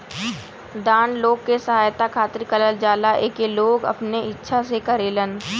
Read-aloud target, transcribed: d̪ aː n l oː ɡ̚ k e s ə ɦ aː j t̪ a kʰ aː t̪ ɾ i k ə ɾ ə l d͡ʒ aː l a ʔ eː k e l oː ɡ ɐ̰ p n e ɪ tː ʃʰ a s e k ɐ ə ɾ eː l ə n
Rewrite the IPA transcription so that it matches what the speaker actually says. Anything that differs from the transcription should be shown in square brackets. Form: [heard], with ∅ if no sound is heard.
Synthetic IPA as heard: d̪ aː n l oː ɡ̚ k e s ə ɦ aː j t̪ a kʰ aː t̪ ɾ i k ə [l] ə l d͡ʒ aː l a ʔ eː k e l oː ɡ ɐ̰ p n e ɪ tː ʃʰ a s e k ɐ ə ɾ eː l ə n